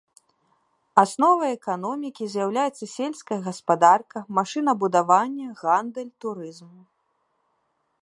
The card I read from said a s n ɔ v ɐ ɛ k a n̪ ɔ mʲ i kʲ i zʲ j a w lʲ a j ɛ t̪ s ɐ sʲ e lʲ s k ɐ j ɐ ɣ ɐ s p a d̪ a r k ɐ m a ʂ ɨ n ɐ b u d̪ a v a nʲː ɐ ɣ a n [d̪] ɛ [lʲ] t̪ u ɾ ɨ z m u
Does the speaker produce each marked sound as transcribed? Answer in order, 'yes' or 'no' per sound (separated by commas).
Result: yes, yes